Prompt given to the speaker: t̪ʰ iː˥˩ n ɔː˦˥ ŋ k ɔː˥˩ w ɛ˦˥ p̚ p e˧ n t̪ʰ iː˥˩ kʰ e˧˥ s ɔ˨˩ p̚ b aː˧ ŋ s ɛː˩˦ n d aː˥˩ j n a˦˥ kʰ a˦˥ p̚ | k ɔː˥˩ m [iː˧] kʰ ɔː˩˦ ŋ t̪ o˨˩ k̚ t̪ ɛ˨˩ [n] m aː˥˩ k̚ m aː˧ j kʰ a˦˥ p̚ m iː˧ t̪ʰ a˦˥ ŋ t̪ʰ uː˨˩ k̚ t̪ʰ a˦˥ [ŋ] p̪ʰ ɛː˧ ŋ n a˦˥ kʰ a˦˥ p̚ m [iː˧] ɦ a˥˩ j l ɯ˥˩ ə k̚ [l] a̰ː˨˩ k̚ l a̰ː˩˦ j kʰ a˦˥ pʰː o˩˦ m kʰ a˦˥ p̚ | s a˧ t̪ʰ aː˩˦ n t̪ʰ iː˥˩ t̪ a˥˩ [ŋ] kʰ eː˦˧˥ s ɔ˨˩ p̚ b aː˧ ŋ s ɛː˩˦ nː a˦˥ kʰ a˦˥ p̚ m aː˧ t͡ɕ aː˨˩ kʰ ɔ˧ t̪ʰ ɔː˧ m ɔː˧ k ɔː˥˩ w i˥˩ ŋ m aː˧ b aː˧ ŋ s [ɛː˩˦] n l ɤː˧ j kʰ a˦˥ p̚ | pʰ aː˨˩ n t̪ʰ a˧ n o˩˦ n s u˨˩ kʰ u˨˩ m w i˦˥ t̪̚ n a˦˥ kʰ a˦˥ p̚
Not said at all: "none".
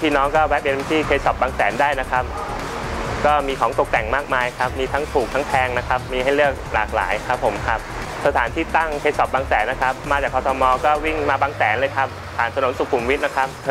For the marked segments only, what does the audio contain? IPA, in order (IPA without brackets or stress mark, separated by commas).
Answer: iː˧, ŋ, ŋ, iː˧, l, ŋ, ɛː˩˦